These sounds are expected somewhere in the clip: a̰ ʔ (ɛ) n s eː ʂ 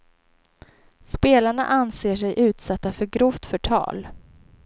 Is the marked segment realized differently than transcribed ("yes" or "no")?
yes